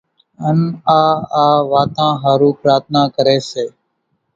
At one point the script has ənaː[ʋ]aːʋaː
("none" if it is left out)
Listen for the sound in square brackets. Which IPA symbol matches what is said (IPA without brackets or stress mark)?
none